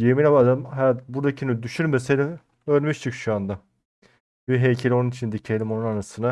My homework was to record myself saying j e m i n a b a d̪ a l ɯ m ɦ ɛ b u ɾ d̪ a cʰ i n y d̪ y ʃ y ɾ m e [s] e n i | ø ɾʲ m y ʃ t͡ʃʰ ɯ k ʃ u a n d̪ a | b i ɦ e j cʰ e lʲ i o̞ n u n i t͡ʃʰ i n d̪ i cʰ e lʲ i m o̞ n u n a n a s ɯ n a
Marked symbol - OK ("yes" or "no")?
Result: yes